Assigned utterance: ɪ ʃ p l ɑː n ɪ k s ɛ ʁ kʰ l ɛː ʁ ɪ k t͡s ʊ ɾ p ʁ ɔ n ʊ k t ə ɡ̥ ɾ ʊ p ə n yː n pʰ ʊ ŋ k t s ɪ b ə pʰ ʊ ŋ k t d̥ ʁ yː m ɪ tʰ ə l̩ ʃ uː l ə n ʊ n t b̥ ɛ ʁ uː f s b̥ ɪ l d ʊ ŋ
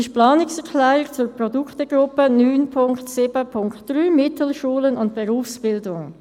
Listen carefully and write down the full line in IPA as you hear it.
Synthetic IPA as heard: ɪ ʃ p l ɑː n ɪ k s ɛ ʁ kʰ l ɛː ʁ ɪ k t͡s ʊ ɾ p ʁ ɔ d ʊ k t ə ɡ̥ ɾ ʊ p ə n yː n pʰ ʊ ŋ k t s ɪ b ə pʰ ʊ ŋ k t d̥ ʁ yː m ɪ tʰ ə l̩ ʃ uː l ə n ʊ n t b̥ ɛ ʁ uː f s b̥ ɪ l d ʊ ŋ